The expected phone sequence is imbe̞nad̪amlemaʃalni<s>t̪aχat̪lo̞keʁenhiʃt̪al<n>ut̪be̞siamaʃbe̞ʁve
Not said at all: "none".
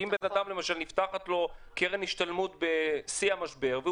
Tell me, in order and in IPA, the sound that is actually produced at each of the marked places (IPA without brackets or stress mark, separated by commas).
f, m